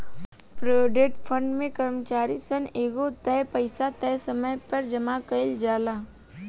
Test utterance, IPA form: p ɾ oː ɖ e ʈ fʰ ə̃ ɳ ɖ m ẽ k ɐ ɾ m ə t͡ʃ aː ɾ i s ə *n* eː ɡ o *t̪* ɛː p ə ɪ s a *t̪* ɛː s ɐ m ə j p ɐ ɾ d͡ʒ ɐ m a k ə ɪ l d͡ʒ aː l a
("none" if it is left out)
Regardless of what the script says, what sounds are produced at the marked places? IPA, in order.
n, t̪, t̪

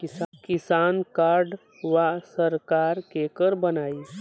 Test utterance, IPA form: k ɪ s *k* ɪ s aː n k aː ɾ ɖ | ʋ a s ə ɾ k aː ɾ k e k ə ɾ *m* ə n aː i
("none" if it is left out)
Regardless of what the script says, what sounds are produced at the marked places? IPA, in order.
k, b

